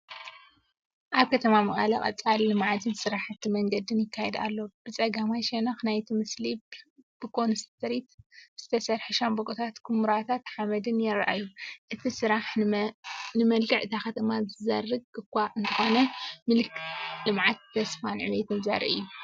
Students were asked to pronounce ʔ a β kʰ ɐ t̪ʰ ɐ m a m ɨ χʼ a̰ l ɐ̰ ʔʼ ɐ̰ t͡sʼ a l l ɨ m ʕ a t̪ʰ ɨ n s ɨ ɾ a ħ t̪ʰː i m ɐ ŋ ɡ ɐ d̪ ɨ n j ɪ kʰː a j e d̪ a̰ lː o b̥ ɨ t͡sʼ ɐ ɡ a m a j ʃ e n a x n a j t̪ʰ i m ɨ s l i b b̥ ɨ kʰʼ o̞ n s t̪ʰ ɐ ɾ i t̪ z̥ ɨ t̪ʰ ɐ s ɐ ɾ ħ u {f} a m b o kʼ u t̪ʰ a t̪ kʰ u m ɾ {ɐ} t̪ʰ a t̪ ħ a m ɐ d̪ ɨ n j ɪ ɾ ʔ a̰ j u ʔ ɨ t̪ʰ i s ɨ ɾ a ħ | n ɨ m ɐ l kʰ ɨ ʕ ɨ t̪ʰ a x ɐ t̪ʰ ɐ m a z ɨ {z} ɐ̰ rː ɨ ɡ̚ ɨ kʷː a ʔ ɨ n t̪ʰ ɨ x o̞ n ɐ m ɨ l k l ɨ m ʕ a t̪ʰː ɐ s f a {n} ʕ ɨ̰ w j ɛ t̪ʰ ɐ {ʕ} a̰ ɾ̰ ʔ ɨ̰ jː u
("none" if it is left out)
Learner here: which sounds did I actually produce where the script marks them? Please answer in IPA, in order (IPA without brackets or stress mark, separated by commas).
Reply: ʃ, a, z, n, z